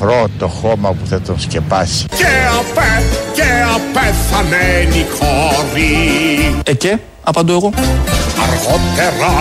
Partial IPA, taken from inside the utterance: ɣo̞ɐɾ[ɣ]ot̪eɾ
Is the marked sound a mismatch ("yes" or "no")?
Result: no